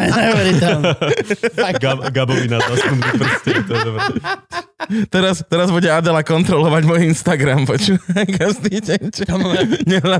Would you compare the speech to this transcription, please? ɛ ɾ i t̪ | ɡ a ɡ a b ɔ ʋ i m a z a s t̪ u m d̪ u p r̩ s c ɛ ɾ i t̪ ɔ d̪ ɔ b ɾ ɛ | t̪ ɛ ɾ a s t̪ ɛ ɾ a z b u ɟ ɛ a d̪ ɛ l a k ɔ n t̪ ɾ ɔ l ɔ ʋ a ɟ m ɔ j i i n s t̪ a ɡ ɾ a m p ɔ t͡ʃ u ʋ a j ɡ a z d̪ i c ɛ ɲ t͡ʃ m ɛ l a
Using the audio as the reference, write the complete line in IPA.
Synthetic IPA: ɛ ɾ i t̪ | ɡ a ɡ a b ɔ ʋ i n a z a s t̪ u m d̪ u p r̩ s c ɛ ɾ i t̪ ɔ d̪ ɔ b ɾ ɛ | t̪ ɛ ɾ a s t̪ ɛ ɾ a z b u ɟ ɛ a d̪ ɛ l a k ɔ n t̪ ɾ ɔ l ɔ ʋ a ɟ m ɔ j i i n s t̪ a ɡ ɾ a m p ɔ t͡ʃ u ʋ a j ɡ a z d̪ i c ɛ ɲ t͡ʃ ɲ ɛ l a